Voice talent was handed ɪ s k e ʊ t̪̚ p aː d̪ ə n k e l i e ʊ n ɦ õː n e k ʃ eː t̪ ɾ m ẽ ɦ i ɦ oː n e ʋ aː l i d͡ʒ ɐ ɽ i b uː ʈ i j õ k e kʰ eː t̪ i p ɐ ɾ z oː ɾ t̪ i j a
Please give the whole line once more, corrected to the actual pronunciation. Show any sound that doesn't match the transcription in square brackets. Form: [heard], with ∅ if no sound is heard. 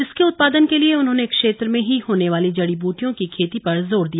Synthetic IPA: ɪ s k e ʊ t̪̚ p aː d̪ ə n k e l i e ʊ n ɦ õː n e k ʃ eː t̪ ɾ m ẽ ɦ i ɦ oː n e ʋ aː l i d͡ʒ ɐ ɽ i b uː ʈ i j õ k [i] kʰ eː t̪ i p ɐ ɾ z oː ɾ [d̪] i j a